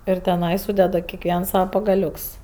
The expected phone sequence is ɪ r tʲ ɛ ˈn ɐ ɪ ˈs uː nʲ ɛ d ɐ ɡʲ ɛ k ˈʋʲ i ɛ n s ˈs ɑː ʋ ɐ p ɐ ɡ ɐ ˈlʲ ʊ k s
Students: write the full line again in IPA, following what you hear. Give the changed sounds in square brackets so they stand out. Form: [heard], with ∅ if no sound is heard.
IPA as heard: ɪ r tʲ ɛ ˈn ɐ ɪ ˈs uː [dʲ] ɛ d ɐ [kʲ] ɛ k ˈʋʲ i ɛ n s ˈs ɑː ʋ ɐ p ɐ ɡ ɐ ˈlʲ ʊ k s